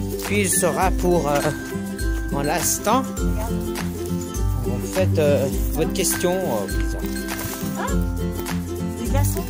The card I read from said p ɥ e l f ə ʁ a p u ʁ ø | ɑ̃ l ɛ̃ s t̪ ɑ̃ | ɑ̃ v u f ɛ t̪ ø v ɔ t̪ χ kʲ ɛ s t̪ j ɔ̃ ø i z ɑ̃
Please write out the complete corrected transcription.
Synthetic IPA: p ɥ i l s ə ʁ a p u ʁ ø | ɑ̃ l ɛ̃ s t̪ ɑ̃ | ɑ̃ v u f ɛ t̪ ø v ɔ t̪ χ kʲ ɛ s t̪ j ɔ̃ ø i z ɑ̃